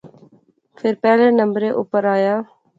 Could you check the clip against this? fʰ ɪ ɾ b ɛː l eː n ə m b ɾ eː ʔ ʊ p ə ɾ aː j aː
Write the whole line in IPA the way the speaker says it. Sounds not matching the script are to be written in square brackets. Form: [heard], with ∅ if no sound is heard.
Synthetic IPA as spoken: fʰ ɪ ɾ [p] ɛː l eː n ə m b ɾ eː ʔ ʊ p ə ɾ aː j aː